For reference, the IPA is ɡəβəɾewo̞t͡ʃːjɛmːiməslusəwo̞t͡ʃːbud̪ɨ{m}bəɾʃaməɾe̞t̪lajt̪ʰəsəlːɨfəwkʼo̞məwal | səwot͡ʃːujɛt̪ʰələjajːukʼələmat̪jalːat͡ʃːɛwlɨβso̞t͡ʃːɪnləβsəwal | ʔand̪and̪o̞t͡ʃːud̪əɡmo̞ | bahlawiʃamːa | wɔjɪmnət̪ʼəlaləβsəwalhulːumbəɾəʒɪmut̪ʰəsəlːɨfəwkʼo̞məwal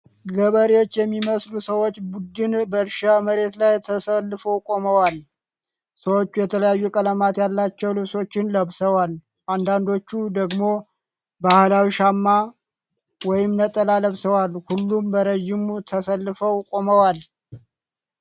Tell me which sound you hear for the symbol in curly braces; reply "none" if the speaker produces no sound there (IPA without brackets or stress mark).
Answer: n